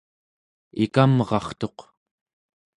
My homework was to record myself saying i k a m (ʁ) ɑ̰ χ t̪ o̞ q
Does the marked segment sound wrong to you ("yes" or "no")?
no